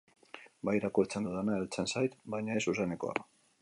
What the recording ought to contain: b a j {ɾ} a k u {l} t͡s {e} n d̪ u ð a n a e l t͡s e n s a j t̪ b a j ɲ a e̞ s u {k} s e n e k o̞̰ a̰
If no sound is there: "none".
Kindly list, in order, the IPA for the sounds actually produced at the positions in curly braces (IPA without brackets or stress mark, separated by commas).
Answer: ɾ, ɾ, e, none